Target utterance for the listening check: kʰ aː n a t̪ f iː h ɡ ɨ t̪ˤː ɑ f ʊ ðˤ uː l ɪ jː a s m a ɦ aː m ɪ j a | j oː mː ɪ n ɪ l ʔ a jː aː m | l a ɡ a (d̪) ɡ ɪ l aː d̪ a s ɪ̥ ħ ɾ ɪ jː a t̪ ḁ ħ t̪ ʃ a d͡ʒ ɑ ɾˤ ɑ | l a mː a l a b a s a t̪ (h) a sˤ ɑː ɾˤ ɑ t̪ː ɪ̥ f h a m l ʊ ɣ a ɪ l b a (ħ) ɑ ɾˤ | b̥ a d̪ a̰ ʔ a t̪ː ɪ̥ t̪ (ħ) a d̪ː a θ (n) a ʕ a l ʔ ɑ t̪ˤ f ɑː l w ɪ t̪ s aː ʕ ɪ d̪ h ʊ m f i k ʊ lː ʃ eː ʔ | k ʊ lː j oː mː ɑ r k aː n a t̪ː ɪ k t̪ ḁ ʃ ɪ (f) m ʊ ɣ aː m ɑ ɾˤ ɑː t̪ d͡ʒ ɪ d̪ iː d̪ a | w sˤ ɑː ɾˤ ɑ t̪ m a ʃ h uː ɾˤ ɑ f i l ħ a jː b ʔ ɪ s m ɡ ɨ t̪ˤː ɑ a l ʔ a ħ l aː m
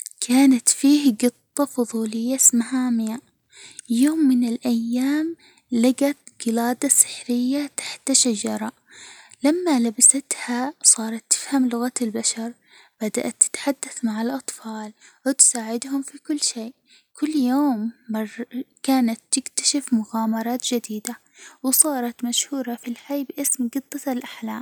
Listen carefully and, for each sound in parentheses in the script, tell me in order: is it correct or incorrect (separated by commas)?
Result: incorrect, correct, incorrect, correct, incorrect, correct